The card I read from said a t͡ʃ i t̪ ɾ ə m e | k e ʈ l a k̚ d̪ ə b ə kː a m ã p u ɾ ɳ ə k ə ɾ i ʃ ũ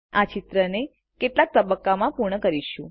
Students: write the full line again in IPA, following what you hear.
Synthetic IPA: a t͡ʃ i t̪ ɾ ə n e | k e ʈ l a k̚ t̪ ə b ə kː a m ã p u ɾ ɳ ə k ə ɾ i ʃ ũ

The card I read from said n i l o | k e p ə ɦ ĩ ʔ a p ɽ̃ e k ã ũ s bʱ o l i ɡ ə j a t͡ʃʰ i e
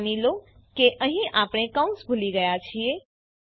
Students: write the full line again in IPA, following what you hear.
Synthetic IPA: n i l o | k e ʔ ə ɦ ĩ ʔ a p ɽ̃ e k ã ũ s bʱ u l i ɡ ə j a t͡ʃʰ i e

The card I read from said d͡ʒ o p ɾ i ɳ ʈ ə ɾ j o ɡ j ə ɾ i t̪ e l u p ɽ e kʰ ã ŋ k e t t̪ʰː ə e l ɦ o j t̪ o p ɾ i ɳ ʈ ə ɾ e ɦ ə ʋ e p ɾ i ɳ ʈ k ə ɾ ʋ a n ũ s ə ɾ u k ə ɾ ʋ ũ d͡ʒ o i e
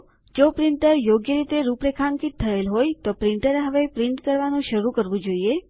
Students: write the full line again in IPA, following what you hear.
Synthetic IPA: d͡ʒ o p ɾ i ɳ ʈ ə ɾ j o ɡ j ə ɾ i t̪ e ɾ u p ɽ e kʰ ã ŋ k i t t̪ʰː ə e l ɦ o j t̪ o p ɾ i ɳ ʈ ə ɾ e ɦ ə ʋ e p ɾ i ɳ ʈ k ə ɾ ʋ a n ũ ʃ ə ɾ u k ə ɾ ʋ ũ d͡ʒ o i e

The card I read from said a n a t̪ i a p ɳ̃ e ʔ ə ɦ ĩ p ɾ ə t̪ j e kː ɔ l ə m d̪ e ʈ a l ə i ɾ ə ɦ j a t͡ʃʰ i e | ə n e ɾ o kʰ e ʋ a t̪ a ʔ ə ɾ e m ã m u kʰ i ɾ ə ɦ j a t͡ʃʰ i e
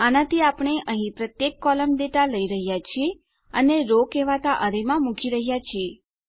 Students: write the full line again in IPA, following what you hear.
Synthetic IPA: a n a t̪ i a p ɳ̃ e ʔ ə ɦ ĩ p ɾ ə t̪ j e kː ɔ l ə m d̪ e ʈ a l ə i ɾ ə ɦ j a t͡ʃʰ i e | ə n e ɾ o k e ʋ a t̪ a ʔ ə ɾ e m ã m u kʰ i ɾ ə ɦ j a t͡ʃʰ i e

